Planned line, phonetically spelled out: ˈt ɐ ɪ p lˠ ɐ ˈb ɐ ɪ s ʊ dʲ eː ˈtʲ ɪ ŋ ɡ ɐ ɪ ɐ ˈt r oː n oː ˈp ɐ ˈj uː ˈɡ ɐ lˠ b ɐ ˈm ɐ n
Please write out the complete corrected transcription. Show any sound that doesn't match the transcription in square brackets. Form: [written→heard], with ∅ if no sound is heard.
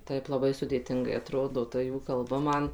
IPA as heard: ˈt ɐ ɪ p lˠ ɐ ˈb ɐ ɪ s ʊ dʲ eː ˈtʲ ɪ ŋ ɡ ɐ ɪ ɐ ˈt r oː [n→d] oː [ˈp→ˈt] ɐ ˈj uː [ˈɡ→ˈk] ɐ lˠ b ɐ ˈm ɐ n